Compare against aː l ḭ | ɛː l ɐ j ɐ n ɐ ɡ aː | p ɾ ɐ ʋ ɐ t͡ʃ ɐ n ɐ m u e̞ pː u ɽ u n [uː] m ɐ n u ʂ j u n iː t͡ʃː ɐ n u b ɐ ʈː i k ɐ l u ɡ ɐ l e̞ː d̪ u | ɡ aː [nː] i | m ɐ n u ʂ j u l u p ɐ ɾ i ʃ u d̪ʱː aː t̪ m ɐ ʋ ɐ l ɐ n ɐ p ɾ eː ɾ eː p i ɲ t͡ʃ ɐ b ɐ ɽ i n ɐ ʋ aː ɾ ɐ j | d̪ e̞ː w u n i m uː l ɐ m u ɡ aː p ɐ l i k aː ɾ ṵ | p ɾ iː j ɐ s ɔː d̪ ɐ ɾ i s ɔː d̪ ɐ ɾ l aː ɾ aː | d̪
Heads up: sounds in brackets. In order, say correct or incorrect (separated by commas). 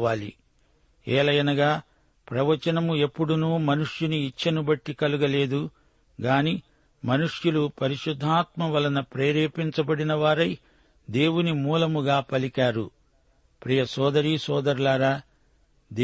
correct, incorrect